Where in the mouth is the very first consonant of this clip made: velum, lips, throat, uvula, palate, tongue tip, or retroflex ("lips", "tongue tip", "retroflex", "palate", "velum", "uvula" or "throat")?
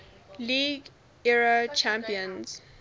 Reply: tongue tip